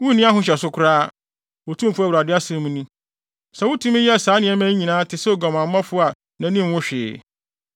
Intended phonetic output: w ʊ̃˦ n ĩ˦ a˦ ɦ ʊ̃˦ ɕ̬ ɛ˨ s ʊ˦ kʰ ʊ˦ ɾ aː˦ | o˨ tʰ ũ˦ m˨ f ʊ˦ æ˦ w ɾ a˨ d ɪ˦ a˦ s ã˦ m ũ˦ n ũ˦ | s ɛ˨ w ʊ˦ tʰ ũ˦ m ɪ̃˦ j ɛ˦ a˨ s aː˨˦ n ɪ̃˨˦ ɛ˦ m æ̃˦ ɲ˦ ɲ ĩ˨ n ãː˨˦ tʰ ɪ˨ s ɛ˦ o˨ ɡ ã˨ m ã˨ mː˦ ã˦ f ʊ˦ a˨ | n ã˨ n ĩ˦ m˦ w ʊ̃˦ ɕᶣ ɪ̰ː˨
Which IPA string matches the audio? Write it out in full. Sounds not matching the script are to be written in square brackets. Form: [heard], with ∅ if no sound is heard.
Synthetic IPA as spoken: w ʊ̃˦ n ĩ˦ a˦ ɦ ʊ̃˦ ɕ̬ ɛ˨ s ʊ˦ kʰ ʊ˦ ɾ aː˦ | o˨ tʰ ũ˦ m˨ f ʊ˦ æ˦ w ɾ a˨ d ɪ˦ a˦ s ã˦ m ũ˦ n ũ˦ | s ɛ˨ w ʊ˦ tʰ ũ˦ m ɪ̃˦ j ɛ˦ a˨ s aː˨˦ n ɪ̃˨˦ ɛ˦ m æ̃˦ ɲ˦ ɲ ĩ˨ n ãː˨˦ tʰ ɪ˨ s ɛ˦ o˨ ɡ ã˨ m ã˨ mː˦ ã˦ f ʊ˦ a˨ | n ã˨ n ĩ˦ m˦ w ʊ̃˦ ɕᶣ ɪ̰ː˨